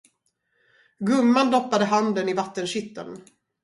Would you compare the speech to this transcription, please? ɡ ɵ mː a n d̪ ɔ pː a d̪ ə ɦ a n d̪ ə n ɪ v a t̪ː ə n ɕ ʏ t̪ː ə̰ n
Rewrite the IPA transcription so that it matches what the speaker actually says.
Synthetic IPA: ɡ ɵ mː a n d̪ ɔ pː a d̪ ə ɦ a n d̪ ə n ɪ v a t̪ː ə n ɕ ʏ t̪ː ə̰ n